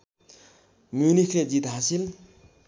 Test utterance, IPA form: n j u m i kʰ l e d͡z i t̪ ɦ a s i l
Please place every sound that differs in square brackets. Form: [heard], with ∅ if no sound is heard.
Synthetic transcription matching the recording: [m] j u [n] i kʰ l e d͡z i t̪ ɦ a s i l